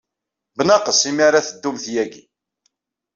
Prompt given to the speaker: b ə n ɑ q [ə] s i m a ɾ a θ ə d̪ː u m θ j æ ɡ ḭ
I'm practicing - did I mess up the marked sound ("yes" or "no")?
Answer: no